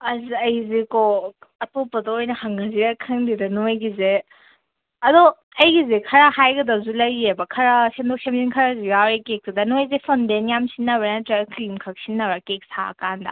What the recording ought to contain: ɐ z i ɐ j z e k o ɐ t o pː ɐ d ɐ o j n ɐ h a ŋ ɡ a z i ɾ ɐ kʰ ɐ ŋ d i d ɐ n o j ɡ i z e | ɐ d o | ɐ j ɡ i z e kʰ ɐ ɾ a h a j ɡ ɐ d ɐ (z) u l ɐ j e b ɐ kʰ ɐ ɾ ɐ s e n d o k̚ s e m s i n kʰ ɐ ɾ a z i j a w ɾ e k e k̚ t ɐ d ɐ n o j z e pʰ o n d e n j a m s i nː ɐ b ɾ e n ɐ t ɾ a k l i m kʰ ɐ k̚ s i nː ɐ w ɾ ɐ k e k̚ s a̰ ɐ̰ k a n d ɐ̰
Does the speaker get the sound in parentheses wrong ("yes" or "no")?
no